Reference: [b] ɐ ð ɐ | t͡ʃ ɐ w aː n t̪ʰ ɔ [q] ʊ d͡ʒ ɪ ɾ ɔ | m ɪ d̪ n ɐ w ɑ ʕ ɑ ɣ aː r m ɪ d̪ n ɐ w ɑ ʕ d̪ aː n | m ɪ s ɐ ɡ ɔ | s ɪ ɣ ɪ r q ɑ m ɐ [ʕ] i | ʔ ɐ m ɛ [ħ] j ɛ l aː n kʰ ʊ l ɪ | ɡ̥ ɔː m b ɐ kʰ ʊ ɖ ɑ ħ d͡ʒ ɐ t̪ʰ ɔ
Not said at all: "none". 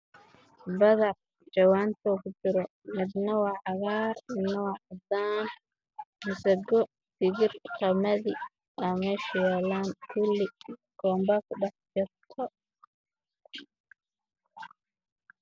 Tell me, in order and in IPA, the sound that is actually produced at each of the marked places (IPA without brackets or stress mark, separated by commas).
b, k, ð, ʃ